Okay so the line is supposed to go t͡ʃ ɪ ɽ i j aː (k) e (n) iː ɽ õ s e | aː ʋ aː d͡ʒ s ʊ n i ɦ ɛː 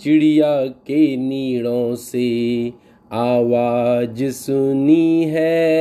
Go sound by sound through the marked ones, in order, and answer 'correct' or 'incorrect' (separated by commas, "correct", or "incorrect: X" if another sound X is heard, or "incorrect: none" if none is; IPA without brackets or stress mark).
correct, correct